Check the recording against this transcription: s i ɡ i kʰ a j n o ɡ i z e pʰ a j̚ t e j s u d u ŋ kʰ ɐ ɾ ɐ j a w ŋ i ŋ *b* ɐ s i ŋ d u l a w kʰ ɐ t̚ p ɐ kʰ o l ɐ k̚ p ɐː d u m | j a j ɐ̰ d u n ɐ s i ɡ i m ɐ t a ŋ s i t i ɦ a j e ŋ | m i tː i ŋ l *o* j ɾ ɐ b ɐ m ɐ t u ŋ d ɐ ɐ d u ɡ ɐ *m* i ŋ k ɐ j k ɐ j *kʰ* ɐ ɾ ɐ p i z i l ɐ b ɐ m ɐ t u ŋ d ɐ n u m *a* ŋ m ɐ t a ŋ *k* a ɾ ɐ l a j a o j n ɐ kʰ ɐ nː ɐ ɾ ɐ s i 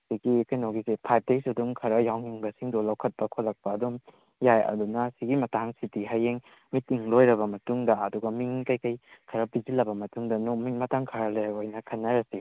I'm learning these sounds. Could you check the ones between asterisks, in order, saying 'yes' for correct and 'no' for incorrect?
yes, yes, yes, yes, no, no

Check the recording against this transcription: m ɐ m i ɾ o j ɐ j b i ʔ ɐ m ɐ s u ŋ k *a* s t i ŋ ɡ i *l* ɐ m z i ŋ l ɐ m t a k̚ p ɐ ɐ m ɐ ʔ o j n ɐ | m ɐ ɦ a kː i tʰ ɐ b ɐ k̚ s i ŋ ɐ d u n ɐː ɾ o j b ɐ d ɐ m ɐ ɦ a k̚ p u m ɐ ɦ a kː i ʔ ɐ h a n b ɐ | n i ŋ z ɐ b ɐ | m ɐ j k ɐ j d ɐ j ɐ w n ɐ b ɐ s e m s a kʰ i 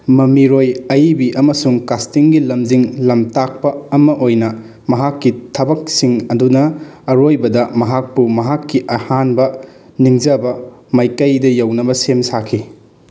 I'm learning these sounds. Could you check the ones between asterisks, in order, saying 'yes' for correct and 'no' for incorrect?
yes, yes

